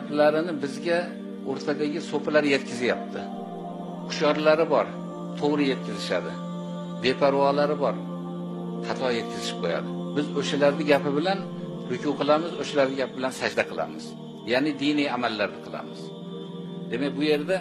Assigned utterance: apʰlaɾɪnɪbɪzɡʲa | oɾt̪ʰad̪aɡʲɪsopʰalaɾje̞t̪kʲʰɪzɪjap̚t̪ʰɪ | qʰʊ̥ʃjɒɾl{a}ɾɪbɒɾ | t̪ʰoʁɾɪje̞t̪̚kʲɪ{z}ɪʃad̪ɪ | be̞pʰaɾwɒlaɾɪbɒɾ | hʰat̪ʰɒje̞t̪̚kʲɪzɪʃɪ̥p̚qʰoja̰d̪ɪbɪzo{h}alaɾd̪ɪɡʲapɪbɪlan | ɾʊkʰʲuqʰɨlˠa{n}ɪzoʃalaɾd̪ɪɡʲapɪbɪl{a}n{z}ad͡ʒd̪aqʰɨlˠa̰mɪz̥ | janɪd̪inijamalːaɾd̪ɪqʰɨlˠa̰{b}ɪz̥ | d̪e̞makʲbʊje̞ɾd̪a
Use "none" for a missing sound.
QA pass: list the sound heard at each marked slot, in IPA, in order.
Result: a, z, ʃ, m, a, s, m

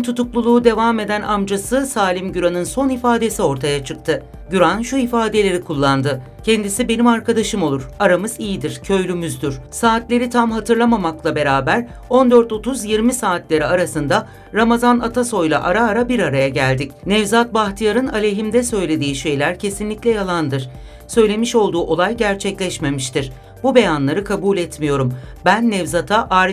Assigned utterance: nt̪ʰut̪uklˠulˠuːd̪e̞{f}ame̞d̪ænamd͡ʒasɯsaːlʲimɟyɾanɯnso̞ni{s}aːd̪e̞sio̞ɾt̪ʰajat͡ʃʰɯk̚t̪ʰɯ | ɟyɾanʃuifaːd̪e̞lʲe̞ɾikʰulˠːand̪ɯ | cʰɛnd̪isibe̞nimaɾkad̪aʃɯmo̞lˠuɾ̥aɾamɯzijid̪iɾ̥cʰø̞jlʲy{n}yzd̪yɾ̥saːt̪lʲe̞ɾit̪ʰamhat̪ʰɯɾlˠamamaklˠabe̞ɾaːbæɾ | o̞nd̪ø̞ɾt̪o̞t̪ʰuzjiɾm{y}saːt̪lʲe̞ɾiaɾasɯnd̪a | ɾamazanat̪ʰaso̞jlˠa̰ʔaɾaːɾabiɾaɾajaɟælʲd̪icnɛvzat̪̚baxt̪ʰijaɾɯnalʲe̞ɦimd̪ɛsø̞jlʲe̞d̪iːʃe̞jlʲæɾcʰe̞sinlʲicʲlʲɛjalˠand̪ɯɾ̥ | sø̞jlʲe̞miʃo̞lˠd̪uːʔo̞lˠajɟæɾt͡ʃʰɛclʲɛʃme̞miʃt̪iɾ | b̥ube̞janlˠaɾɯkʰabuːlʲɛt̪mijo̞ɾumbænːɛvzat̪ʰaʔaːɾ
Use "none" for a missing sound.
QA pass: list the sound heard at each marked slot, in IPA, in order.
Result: v, f, m, i

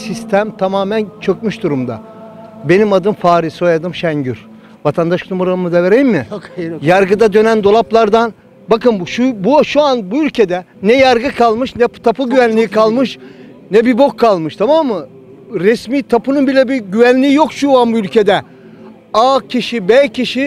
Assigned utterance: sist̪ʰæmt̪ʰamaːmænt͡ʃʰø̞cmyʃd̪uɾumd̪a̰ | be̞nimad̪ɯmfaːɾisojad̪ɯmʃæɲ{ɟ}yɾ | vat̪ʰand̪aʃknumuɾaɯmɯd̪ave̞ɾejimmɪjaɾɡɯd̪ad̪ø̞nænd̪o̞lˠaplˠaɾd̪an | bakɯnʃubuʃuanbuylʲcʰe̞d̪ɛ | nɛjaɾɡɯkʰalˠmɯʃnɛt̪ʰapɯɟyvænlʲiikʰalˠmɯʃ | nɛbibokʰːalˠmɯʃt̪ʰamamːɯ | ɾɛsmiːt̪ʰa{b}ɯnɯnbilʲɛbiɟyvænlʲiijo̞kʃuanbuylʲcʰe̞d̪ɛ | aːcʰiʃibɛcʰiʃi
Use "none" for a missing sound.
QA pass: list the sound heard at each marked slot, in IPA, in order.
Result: ɟ, p

